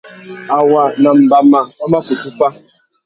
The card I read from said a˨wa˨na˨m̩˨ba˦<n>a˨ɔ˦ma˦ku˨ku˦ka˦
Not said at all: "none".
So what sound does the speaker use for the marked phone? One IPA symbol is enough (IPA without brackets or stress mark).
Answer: m